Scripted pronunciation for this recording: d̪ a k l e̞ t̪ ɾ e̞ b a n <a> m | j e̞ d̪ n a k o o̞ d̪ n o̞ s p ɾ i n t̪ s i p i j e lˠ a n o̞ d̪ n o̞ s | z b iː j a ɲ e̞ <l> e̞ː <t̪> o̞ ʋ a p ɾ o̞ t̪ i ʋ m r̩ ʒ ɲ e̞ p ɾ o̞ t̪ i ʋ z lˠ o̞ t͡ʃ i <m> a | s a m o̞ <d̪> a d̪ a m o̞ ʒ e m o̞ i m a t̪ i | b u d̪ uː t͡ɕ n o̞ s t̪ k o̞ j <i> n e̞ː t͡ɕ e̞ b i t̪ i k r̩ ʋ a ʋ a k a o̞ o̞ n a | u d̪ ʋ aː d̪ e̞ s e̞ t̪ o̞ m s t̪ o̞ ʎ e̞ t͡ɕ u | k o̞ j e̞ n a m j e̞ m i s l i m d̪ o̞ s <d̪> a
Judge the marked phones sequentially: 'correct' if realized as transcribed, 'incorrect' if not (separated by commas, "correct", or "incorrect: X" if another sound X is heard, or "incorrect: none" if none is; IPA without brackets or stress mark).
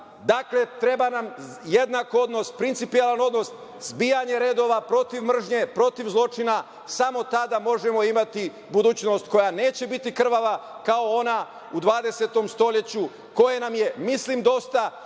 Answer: correct, incorrect: ɾ, incorrect: d̪, incorrect: n, incorrect: t̪, incorrect: a, incorrect: t̪